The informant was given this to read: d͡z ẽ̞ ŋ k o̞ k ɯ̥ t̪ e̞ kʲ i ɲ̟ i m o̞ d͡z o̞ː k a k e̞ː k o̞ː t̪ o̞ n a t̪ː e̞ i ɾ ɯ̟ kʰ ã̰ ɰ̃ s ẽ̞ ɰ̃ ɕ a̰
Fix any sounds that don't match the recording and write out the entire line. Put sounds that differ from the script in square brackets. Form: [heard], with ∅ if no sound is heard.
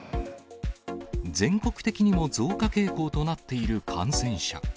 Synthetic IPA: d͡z ẽ̞ ŋ k o̞ k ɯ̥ t̪ e̞ kʲ i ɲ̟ i m o̞ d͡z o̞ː k a k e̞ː k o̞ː t̪ o̞ n a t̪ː e̞ i ɾ ɯ̟ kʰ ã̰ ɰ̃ s ẽ̞ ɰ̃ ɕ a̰